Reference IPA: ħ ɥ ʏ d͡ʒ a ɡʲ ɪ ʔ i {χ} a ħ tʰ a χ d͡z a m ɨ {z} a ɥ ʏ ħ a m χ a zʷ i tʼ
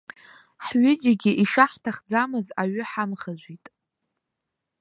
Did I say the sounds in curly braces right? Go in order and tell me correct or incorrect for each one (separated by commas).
incorrect, correct